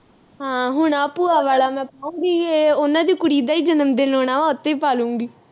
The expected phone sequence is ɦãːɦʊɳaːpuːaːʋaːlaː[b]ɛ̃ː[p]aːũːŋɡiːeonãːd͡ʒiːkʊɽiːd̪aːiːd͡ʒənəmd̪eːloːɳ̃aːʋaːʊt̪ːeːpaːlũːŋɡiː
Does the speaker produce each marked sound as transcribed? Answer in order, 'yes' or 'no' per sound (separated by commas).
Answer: no, yes